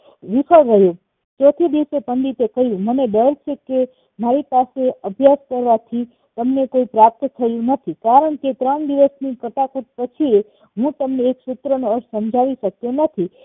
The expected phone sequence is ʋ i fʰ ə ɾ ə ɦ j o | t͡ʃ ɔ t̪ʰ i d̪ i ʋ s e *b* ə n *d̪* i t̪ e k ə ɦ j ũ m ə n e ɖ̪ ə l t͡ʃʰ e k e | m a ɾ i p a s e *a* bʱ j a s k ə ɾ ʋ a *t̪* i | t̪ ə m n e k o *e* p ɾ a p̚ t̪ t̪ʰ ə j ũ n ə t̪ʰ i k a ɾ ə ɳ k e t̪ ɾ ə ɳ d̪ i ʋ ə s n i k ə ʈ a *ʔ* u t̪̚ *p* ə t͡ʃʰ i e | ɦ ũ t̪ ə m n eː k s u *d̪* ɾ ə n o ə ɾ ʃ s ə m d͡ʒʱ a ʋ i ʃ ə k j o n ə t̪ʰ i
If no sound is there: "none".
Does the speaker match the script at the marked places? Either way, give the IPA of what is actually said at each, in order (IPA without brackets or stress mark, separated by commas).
p, d̪, ə, t̪ʰ, i, k, p, t̪